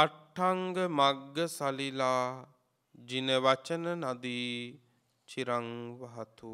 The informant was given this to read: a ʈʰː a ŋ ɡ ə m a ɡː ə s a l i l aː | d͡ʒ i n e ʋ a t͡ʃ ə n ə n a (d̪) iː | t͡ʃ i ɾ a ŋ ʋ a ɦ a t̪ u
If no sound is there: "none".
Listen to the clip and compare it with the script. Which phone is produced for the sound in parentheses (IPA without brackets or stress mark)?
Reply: d̪